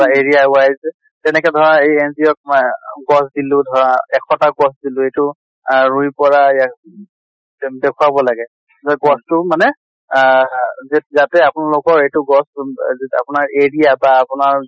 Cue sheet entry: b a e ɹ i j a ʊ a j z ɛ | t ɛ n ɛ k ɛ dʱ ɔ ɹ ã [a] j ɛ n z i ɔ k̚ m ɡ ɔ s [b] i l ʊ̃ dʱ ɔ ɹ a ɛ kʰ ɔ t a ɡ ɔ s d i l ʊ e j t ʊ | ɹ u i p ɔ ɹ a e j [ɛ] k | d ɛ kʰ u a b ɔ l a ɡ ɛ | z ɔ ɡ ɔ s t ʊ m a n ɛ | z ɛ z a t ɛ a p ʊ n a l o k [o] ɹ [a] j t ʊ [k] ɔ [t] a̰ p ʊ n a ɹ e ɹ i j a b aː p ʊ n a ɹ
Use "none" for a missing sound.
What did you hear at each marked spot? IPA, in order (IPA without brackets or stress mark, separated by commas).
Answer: e, d, a, ɔ, e, ɡ, s